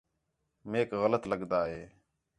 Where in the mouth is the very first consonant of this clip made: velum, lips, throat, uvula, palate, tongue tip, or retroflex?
lips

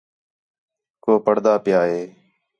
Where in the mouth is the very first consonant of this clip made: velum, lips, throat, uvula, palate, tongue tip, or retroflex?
velum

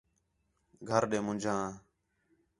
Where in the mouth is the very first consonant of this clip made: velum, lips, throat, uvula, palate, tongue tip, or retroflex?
velum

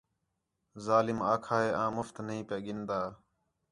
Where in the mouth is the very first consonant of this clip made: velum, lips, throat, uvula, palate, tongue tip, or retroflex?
tongue tip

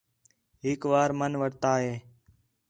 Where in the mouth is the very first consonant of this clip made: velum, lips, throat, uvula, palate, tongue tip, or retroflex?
throat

